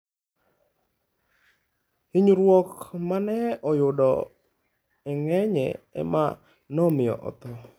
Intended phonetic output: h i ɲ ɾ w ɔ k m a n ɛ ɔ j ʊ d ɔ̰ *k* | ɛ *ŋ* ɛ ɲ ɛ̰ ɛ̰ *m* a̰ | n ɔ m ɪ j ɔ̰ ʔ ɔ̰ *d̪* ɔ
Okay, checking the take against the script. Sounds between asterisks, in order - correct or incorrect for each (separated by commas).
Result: incorrect, correct, correct, incorrect